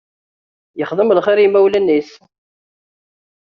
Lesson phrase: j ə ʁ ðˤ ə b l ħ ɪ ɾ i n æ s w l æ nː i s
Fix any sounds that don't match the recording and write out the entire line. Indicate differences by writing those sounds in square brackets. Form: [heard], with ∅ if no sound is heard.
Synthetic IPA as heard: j ə [χ] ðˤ ə [m] l [χ] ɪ ɾ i [m] æ [∅] w l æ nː i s